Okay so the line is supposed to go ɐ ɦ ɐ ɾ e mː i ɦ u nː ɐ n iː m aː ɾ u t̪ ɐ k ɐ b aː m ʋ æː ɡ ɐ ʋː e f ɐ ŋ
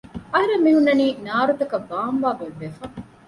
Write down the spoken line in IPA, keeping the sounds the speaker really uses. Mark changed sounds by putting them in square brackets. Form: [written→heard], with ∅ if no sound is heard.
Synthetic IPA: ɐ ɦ ɐ ɾ e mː i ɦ u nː ɐ n iː [m→n] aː ɾ u t̪ ɐ k ɐ b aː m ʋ [æː→aː] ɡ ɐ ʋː e f ɐ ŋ